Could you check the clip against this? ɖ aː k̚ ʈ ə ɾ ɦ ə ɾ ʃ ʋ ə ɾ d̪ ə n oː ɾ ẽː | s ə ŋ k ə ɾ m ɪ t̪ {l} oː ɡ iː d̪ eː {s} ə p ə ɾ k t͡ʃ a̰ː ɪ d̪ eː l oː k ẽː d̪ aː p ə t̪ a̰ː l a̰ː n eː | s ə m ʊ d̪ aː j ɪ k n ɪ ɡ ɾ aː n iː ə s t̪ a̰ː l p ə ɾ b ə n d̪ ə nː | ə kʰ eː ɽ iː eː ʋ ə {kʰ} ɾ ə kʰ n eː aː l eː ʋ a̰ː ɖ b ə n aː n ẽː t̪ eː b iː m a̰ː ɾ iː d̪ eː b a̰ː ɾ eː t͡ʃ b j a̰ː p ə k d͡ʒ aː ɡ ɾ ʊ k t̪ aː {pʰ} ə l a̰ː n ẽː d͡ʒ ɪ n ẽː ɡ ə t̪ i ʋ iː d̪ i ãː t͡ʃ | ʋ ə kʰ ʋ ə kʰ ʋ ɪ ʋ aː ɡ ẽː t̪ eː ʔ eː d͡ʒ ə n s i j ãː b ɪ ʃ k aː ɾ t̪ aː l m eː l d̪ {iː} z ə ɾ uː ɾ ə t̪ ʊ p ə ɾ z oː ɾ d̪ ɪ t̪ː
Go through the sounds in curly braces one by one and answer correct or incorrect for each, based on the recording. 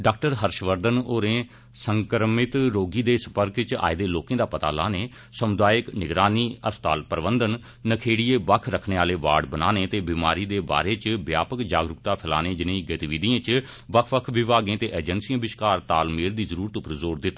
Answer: incorrect, correct, correct, correct, correct

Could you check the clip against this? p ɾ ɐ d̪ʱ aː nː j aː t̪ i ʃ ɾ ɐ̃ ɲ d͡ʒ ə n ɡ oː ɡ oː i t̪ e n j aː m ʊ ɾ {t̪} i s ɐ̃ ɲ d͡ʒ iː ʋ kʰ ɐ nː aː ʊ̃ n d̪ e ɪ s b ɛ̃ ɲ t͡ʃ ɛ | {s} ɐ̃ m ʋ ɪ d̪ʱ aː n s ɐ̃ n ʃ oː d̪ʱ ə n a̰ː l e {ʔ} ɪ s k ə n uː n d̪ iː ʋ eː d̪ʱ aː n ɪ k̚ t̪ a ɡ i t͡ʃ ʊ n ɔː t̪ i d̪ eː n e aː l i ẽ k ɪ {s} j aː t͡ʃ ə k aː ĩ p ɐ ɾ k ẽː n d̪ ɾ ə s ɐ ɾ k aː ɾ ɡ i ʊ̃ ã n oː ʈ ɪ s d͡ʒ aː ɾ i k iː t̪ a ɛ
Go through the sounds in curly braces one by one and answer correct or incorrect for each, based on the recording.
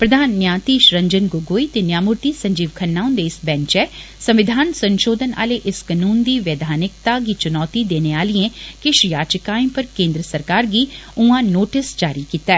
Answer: correct, correct, correct, incorrect

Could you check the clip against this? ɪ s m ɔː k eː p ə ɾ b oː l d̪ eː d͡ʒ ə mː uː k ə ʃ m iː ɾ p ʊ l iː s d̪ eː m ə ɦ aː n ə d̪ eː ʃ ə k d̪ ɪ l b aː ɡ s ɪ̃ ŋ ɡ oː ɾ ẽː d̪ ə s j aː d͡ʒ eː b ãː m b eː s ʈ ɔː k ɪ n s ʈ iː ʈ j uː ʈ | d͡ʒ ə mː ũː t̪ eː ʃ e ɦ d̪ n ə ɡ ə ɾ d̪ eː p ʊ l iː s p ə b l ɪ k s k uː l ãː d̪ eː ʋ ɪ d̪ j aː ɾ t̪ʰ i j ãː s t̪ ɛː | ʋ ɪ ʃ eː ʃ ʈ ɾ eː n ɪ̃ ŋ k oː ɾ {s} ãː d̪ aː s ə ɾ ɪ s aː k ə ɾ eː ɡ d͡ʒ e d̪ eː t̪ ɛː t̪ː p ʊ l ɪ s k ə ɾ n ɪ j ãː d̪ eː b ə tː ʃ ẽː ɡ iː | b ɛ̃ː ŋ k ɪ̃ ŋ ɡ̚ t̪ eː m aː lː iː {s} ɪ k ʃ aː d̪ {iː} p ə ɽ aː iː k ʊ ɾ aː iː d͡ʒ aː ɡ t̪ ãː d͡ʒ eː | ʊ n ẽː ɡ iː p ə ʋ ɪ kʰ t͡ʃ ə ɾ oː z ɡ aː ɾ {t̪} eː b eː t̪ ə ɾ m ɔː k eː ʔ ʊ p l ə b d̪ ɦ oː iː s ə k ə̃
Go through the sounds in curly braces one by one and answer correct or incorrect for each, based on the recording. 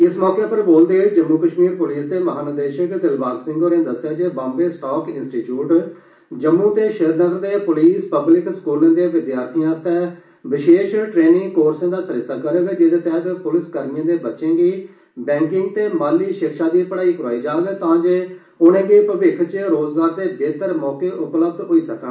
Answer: correct, incorrect, correct, incorrect

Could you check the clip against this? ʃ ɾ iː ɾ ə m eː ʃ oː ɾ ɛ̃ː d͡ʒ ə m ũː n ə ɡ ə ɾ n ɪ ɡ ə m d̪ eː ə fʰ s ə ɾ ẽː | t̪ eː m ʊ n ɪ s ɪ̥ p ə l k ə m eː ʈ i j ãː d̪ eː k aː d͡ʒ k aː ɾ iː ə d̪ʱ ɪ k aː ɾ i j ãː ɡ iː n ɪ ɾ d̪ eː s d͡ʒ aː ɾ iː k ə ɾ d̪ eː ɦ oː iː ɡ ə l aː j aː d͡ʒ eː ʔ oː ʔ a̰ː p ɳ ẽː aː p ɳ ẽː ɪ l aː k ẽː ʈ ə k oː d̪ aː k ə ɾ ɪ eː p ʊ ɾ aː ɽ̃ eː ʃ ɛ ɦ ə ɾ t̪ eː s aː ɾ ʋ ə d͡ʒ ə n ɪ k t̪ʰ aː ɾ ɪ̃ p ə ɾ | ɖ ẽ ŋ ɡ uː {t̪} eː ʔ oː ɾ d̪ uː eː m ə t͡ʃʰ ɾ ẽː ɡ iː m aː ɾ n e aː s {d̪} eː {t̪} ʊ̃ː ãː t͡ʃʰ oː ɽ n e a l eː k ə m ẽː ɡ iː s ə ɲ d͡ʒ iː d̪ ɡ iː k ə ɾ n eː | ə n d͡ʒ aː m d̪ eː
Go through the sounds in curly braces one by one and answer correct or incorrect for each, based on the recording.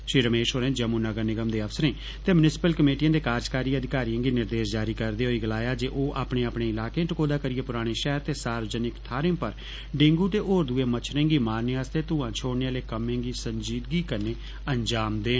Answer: correct, incorrect, correct

